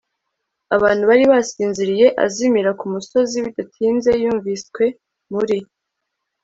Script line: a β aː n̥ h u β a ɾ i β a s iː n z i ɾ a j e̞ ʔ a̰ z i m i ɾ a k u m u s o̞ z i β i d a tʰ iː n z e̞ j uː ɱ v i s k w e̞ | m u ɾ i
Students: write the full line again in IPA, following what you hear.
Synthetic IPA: a β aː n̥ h u β a ɾ i β a s iː n z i ɾ i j e̞ ʔ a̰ z i m i ɾ a k u m u s o̞ z i β i d a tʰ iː n z e̞ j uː ɱ v i s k w e̞ | m u ɾ i

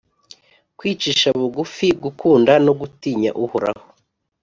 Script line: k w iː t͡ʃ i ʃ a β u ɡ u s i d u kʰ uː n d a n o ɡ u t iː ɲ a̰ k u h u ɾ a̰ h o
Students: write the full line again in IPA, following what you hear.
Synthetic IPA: k w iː t͡ʃ i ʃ a β u ɡ u f i ɡ u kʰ uː n d a n o ɡ u t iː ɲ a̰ ʔ u h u ɾ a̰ h o

